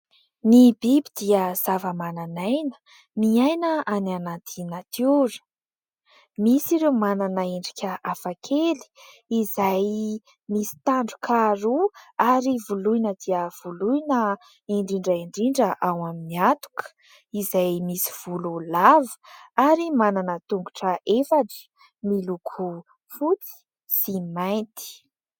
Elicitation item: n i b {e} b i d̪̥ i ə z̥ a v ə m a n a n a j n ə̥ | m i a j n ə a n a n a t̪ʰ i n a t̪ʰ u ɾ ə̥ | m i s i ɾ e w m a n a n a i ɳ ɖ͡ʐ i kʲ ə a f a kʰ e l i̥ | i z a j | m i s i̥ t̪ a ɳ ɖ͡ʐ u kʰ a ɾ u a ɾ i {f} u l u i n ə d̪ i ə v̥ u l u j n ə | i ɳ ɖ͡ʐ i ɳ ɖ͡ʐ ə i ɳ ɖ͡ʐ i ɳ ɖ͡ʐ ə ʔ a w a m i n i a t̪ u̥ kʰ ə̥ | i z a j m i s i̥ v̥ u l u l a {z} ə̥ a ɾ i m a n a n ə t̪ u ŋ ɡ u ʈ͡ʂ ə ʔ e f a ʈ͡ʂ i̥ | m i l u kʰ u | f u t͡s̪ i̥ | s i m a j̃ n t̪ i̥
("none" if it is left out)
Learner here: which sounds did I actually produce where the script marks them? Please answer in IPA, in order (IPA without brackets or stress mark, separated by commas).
i, v, v